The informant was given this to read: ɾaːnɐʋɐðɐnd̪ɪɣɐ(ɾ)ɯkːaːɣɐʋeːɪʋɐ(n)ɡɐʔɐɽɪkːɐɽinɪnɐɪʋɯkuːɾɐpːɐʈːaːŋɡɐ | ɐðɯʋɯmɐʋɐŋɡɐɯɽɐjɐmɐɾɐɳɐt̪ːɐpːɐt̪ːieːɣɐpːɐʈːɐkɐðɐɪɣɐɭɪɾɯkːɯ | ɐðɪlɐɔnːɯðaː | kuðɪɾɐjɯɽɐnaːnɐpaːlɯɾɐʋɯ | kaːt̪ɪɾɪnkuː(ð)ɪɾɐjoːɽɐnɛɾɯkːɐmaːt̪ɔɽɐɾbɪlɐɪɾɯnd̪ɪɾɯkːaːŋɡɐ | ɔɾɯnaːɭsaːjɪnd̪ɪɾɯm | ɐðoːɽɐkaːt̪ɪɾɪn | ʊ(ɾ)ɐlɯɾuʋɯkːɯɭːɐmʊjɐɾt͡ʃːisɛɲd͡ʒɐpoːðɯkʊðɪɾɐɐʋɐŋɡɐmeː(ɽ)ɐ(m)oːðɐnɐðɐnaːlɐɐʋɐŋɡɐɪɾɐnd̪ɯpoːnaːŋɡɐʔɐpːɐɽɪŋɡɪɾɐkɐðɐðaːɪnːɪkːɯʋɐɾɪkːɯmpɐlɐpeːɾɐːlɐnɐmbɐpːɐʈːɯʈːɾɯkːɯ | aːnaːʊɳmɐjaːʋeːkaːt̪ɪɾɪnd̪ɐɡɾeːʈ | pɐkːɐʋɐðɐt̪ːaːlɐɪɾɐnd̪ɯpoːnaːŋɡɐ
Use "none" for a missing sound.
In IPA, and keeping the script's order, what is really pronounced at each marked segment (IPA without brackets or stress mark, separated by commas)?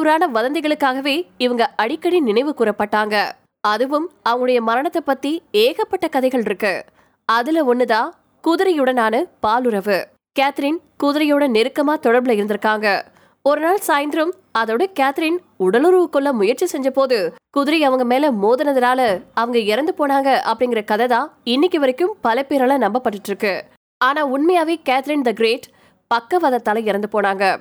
ɭ, ŋ, ð, ɽ, l, m